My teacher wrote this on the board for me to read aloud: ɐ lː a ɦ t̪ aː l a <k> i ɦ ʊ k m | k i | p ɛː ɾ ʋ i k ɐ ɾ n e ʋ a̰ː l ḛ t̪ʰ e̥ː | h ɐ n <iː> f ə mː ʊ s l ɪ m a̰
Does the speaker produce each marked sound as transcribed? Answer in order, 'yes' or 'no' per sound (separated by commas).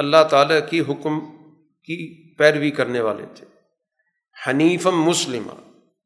yes, yes